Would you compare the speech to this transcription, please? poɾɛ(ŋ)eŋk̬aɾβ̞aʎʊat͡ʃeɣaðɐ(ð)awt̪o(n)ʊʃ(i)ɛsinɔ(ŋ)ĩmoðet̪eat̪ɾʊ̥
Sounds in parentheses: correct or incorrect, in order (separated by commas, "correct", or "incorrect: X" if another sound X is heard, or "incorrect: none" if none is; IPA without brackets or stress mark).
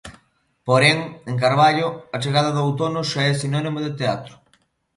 correct, correct, correct, incorrect: a, incorrect: n